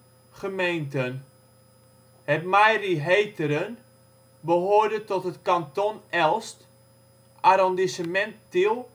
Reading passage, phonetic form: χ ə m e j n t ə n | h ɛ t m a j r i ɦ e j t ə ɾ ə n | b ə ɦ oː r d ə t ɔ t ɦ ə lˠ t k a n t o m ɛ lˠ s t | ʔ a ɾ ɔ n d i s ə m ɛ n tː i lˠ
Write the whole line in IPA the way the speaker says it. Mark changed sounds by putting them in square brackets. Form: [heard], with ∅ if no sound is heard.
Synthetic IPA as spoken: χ ə m e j n t ə n | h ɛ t m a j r i ɦ e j t ə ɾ ə n | b ə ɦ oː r d ə t ɔ t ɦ ə [∅] t k a n t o [n] ɛ lˠ s t | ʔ a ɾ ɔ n d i s ə m ɛ n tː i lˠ